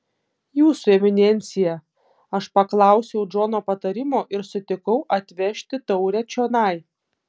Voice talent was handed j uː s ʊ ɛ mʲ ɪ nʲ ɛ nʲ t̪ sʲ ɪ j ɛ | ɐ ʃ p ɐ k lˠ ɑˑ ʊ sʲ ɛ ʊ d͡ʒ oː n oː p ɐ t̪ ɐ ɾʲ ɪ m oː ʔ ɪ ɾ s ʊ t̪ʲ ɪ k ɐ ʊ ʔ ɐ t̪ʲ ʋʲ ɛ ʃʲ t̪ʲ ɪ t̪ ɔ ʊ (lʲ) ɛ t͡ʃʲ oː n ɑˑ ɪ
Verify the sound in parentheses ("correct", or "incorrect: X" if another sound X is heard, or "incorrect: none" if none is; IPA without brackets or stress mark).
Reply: incorrect: ɾʲ